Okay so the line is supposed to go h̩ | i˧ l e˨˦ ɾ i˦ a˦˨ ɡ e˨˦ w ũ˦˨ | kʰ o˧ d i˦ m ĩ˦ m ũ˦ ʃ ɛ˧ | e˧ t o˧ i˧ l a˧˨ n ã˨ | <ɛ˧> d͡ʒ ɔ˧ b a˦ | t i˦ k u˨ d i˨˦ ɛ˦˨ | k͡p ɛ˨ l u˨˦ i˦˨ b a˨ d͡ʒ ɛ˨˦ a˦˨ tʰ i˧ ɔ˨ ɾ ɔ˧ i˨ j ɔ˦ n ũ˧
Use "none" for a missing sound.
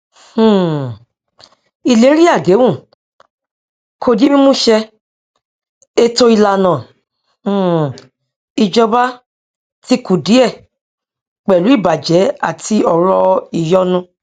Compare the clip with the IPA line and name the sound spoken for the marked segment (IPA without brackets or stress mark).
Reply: i˧